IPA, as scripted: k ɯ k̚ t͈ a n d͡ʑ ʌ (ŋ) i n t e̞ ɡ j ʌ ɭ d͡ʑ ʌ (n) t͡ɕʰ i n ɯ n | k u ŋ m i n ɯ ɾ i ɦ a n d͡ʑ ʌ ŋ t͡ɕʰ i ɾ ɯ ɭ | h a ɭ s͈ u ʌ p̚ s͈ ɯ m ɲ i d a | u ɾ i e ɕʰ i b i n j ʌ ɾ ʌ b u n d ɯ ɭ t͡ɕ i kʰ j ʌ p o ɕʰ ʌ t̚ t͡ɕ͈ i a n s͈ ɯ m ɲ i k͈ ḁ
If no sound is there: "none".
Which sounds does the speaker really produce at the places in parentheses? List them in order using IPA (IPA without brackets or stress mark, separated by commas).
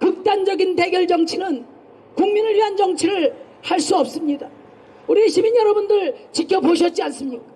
ɡ, ŋ